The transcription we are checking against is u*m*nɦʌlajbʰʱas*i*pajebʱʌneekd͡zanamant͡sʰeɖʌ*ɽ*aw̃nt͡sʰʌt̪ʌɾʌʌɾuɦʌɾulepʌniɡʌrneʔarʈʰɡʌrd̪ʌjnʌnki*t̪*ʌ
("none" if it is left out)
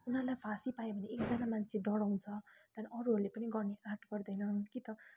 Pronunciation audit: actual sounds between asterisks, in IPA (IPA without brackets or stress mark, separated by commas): none, i, ɽ, t̪